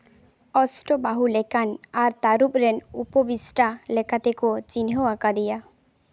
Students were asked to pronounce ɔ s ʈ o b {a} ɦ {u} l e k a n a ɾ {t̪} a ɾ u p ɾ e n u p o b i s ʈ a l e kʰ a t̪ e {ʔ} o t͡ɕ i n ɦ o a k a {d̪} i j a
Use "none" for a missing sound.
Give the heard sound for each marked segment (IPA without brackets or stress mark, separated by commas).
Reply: a, u, t̪, k, d̪